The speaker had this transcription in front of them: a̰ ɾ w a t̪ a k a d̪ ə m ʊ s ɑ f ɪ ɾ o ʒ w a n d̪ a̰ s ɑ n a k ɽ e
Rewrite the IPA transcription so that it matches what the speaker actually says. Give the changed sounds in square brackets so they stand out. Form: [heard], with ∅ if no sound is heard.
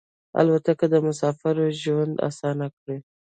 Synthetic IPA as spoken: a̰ [l] w a t̪ a k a d̪ ə m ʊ s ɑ f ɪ ɾ o ʒ w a n d̪ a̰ s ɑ n a k ɽ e